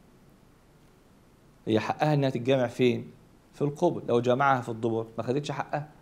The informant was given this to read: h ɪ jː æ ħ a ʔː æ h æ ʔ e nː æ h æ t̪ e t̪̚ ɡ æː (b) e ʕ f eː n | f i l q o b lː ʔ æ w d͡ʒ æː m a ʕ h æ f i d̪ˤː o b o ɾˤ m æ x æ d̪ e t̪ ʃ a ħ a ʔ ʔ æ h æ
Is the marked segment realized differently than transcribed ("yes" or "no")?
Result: yes